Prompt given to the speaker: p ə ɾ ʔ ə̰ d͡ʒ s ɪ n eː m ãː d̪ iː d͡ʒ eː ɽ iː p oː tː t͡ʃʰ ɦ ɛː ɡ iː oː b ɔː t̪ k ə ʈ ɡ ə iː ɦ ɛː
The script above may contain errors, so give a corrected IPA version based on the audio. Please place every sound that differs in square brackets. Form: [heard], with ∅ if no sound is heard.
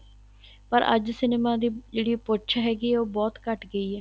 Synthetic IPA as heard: p ə ɾ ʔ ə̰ d͡ʒ s ɪ n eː m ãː d̪ iː d͡ʒ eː ɽ iː p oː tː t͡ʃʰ ɦ ɛː ɡ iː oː b ɔː t̪ k ə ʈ ɡ ə iː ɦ ɛː